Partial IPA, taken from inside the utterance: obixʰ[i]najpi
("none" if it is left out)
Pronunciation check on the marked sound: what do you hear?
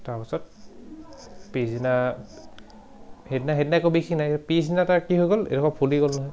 i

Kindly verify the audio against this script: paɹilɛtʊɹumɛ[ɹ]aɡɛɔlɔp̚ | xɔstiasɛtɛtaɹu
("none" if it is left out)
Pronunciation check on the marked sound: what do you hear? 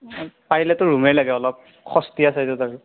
l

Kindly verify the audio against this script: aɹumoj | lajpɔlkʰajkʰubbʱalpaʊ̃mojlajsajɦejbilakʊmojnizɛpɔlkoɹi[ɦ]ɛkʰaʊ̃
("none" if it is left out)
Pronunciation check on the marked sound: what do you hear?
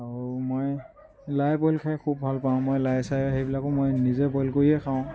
none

